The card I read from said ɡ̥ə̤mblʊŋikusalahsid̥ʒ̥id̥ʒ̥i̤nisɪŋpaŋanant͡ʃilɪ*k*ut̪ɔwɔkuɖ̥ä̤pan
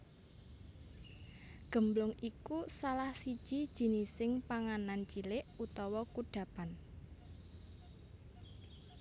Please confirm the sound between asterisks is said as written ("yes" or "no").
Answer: no